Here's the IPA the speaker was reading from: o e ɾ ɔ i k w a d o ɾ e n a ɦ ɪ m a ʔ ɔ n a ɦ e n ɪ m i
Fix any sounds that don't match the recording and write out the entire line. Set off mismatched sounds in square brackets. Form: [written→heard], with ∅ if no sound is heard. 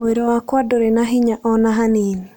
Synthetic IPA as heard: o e ɾ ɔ [i→a] k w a d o ɾ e n a ɦ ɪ [m→ɲ] a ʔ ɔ n a ɦ [e→a] n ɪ [m→n] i